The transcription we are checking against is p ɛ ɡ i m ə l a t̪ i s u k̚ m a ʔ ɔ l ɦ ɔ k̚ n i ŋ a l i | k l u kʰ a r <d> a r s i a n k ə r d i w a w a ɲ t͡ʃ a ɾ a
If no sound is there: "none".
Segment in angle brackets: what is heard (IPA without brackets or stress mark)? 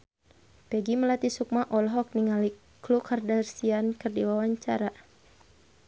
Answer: d